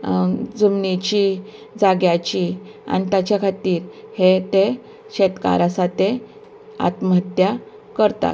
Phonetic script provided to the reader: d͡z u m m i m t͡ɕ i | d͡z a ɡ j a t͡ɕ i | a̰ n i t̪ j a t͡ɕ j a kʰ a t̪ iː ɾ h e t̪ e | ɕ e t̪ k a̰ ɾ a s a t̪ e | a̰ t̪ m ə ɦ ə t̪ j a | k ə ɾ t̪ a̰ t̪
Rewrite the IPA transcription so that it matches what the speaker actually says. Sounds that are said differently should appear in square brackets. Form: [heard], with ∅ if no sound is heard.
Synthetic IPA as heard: d͡z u m [n] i [∅] t͡ɕ i | d͡z a ɡ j a t͡ɕ i | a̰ n i t̪ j a t͡ɕ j a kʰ a t̪ iː ɾ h e t̪ e | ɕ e t̪ k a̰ ɾ a s a t̪ e | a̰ t̪ m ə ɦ ə t̪ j a | k ə ɾ t̪ a̰ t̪